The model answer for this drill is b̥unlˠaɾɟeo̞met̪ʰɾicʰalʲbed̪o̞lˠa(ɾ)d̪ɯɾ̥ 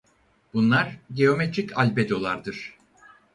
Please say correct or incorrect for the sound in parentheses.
correct